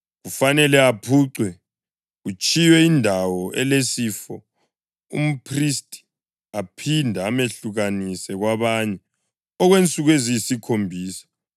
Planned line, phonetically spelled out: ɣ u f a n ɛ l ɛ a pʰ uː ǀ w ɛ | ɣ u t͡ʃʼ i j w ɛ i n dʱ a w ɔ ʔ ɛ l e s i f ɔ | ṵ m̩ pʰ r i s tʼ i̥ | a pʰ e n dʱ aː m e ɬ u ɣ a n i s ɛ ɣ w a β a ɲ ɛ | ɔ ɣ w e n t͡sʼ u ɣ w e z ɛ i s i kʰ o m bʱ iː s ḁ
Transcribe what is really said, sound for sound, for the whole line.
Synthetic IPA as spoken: ɣ u f a n ɛ l ɛ a pʰ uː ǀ w ɛ | ɣ u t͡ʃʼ i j w ɛ i n dʱ a w ɔ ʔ ɛ l e s i f ɔ | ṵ m̩ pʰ r i s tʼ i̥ | a pʰ i n dʱ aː m e ɬ u ɣ a n i s ɛ ɣ w a β a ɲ ɛ | ɔ ɣ w e n t͡sʼ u ɣ w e z i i s i kʰ o m bʱ iː s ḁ

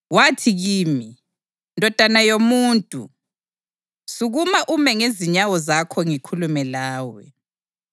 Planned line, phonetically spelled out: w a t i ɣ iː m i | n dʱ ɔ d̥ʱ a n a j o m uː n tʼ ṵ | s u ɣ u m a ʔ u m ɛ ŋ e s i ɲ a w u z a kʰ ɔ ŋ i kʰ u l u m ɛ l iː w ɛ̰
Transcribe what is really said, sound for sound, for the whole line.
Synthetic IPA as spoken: w a tʰ i ɣ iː m i | n dʱ ɔ d̥ʱ a n a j o m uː n tʼ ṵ | s u ɣ u m a ʔ u m ɛ ŋ e z i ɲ a w ɔ z a kʰ ɔ ŋ i kʰ u l u m ɛ l aː w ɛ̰

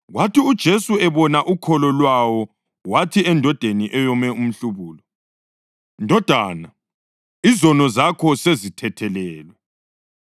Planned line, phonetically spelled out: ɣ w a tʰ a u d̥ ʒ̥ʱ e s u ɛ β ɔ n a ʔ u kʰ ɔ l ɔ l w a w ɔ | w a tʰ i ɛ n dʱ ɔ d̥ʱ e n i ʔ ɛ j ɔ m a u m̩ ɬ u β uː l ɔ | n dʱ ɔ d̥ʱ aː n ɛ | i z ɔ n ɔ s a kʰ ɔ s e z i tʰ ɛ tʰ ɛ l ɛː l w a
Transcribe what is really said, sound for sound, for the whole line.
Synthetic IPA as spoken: ɣ w a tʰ i u d̥ ʒ̥ʱ e s u ɛ β ɔ n a ʔ u kʰ ɔ l ɔ l w a w ɔ | w a tʰ i ɛ n dʱ ɔ d̥ʱ e n i ʔ ɛ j ɔ m ɛ u m̩ ɬ u β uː l ɔ | n dʱ ɔ d̥ʱ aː n a | i z ɔ n ɔ z a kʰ ɔ s e z i tʰ ɛ tʰ ɛ l ɛː l w ɛ

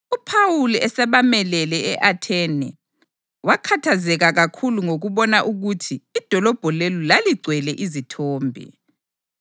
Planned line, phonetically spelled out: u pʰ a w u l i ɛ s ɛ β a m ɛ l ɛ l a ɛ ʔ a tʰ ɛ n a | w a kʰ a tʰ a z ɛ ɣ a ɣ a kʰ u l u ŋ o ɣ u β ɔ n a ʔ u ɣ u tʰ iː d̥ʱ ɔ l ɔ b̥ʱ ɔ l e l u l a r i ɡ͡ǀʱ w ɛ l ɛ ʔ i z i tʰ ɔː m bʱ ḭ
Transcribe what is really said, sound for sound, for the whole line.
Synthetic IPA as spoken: u pʰ a w u l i ɛ s ɛ β a m ɛ l ɛ l ɛ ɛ ʔ a tʰ ɛ n ɛ | w a kʰ a tʰ a z ɛ ɣ a ɣ a kʰ u l u ŋ o ɣ u β ɔ n a ʔ u ɣ u tʰ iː d̥ʱ ɔ l ɔ b̥ʱ ɔ l e l u l a l i ɡ͡ǀʱ w ɛ l ɛ ʔ i z i tʰ ɔː m bʱ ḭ

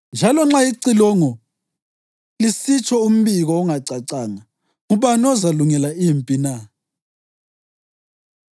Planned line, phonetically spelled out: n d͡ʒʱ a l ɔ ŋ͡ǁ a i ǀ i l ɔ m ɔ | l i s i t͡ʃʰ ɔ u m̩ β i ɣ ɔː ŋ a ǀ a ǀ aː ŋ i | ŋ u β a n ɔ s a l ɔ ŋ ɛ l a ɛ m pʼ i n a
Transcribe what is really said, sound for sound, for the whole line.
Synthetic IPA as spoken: n d͡ʒʱ a l ɔ ŋ͡ǁ a i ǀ i l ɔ ŋ ɔ | l i s i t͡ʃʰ ɔ u m̩ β i ɣ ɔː ŋ a ǀ a ǀ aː ŋ a | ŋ u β a n ɔ z a l u ŋ ɛ l a i m pʼ i n a

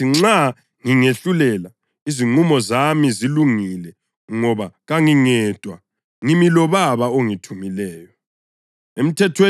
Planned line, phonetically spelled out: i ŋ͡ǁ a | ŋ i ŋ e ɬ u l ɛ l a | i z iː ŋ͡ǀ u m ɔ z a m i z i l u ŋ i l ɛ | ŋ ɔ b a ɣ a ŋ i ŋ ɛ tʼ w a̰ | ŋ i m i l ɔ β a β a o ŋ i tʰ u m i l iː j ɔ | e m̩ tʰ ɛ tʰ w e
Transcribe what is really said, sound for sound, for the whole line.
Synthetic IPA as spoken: i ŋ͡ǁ a | ŋ i ŋ e ɬ u l ɛ l a | i z i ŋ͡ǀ u m ɔ z a m i z i l u ŋ i l ɛ | ŋ ɔ β a ɣ a ŋ i ŋ ɛ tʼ w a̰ | ŋ i m i l ɔ β a β a o ŋ i tʰ u m i l ɛː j ɔ | e m̩ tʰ ɛ tʰ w e

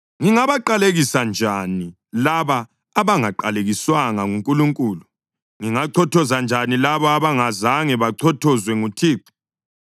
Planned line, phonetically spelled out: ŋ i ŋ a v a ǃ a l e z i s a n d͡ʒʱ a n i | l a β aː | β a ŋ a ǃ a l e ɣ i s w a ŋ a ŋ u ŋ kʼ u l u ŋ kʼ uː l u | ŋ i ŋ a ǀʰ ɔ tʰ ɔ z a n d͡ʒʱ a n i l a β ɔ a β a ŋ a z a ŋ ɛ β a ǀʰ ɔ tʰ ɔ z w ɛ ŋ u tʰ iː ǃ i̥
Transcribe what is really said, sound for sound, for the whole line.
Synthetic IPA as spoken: ŋ i ŋ a β a ǃ a l e ɣ i s a n d͡ʒʱ a n i | l a β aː | β a ŋ a ǃ a l e ɣ i s w a ŋ a ŋ u ŋ kʼ u l u ŋ kʼ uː l u | ŋ i ŋ a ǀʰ ɔ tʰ ɔ z a n d͡ʒʱ a n i l a β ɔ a β a ŋ a z a ŋ ɛ β a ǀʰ ɔ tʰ ɔ z w ɛ ŋ u tʰ iː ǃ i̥

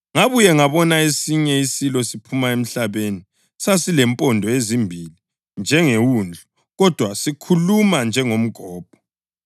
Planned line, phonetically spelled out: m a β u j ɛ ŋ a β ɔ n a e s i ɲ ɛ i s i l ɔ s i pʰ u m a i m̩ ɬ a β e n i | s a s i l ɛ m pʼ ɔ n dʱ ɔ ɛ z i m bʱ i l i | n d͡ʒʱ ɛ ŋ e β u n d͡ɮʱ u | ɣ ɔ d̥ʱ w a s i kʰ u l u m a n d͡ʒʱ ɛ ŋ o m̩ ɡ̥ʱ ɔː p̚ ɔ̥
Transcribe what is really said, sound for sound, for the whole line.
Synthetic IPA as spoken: ŋ a β u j ɛ ŋ a β ɔ n a e s i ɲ ɛ i s i l ɔ s i pʰ u m a e m̩ ɬ a β e n i | s a s i l ɛ m pʼ ɔ n dʱ ɔ e z i m bʱ i l i | n d͡ʒʱ ɛ ŋ e w u n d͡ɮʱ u | ɣ ɔ d̥ʱ w a s i kʰ u l u m a n d͡ʒʱ ɛ ŋ o m̩ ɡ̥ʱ ɔː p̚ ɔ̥

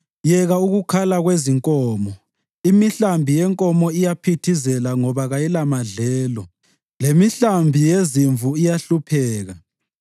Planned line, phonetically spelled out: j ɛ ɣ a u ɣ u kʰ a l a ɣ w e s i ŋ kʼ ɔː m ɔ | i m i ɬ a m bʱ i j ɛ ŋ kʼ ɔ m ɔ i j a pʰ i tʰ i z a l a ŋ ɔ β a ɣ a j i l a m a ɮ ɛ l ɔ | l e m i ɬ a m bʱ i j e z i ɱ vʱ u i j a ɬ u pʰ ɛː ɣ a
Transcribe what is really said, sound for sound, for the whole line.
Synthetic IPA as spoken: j ɛ ɣ a u ɣ u kʰ a l a ɣ w e z i ŋ kʼ ɔː m ɔ | i m i ɬ a m bʱ i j ɛ ŋ kʼ ɔ m ɔ i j a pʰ i tʰ i z ɛ l a ŋ ɔ β a ɣ a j i l a m a ɮ ɛː l ɔ | l e m i ɬ a m bʱ i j e z i ɱ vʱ u i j a ɬ u pʰ ɛː ɣ a

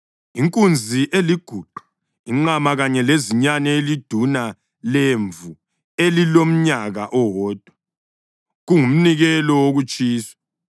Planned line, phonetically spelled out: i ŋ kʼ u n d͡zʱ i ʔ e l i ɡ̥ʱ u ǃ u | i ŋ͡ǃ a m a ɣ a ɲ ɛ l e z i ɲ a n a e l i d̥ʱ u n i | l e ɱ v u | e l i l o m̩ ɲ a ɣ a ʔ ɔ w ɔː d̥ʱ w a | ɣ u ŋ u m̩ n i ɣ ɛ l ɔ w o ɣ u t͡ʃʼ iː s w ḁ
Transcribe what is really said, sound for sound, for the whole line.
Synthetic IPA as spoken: i ŋ kʼ u n d͡zʱ i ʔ e l i ɡ̥ʱ u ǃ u | i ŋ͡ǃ a m a ɣ a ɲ ɛ l e z i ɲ a n ɛ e l i d̥ʱ u n a | l e ɱ v u | e l i l o m̩ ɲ a ɣ a ʔ ɔ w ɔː d̥ʱ w a | ɣ u ŋ u m̩ n i ɣ ɛ l ɔ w o ɣ u t͡ʃʼ iː s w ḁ

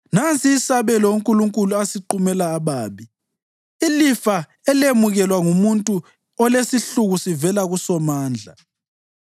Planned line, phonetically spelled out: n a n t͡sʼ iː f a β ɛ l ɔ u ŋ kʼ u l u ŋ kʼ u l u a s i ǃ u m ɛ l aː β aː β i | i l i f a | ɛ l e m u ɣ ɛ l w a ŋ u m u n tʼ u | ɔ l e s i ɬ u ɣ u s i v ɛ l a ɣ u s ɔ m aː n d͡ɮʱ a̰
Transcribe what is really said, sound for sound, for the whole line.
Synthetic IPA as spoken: n a n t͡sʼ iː s a β ɛ l ɔ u ŋ kʼ u l u ŋ kʼ u l u a s i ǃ u m ɛ l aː β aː β i | i l i f a | ɛ l e m u ɣ ɛ l w a ŋ u m u n tʼ u | ɔ l e s i ɬ u ɣ u s i v ɛ l a ɣ u s ɔ m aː n d͡ɮʱ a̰

